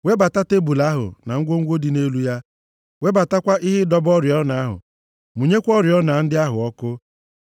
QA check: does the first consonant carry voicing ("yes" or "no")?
yes